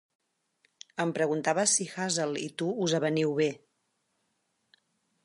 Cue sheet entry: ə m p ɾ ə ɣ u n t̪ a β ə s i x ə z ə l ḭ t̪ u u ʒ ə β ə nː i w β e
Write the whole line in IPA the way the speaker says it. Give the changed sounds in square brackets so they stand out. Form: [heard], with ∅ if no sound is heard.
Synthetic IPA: ə m p ɾ ə ɣ u n t̪ a β ə s i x [a] z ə l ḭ t̪ u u [z] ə β ə [n] i w β e